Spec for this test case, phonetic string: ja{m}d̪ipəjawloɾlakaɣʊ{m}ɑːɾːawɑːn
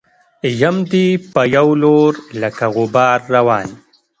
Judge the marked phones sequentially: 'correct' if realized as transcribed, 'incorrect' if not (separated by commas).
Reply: correct, incorrect